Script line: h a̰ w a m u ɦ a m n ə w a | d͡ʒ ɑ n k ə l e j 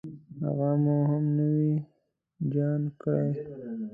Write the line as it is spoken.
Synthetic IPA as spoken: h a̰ ɣ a m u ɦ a m n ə w i | d͡ʒ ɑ n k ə ɽ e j